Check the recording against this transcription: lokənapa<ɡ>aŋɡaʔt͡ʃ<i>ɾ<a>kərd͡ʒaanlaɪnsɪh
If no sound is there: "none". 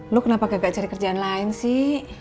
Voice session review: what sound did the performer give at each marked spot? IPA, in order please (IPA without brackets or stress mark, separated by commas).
ɡ, a, i